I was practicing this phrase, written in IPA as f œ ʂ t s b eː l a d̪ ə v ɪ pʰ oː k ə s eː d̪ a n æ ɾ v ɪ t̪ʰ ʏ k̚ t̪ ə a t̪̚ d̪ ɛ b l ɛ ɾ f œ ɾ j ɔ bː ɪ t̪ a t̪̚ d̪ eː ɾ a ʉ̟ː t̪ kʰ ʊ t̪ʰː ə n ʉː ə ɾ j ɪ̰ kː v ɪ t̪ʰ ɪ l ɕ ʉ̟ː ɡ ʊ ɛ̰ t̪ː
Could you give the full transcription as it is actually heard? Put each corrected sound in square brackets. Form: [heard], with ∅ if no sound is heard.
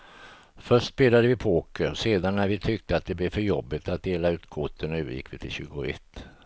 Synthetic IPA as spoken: f œ ʂ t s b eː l a d̪ ə v ɪ pʰ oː k ə s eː d̪ a [nː] æ ɾ v ɪ t̪ʰ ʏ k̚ t̪ ə a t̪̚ d̪ ɛ b l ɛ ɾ f œ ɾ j ɔ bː ɪ t̪ a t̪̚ d̪ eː [l] a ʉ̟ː t̪ kʰ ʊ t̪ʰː ə n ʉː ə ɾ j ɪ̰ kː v ɪ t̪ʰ ɪ l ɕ ʉ̟ː ɡ ʊ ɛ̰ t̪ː